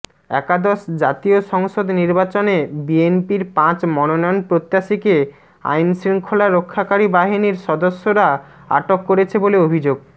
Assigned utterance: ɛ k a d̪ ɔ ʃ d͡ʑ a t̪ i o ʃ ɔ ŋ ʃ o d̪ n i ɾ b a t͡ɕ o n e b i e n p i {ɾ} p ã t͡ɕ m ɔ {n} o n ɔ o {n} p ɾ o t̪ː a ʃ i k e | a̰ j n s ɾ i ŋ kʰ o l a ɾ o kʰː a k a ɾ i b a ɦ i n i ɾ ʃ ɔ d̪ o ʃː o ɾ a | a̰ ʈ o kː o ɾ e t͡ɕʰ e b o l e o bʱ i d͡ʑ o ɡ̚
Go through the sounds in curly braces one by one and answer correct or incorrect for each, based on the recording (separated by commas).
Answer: correct, correct, correct